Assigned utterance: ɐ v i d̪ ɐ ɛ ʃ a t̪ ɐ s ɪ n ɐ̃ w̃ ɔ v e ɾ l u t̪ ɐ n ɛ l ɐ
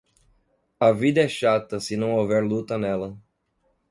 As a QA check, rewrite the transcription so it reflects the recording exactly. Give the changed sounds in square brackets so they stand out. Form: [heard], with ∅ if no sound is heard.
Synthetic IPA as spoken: ɐ v i d̪ ɐ ɛ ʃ a t̪ ɐ s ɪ n ɐ̃ w̃ [o] v [ɛ] ɾ l u t̪ ɐ n ɛ l ɐ